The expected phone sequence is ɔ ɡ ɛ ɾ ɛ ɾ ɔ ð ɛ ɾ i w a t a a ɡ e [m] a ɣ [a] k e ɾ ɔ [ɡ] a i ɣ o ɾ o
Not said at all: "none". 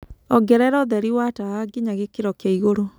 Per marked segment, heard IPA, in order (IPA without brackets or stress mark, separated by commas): ɲ, e, k